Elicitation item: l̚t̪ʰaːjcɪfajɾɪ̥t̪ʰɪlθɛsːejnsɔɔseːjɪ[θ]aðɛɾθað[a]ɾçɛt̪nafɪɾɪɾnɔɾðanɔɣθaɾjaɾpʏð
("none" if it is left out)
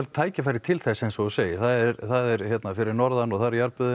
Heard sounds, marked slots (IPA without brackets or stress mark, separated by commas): θ, ɛ